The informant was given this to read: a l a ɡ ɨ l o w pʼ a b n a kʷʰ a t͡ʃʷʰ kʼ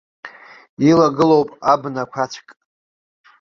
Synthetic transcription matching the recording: i l a ɡ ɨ l o w pʼ a b n a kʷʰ a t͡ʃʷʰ kʼ